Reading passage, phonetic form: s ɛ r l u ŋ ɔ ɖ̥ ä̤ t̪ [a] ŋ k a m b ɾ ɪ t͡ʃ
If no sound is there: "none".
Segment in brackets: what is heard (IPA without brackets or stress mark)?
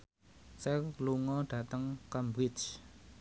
ə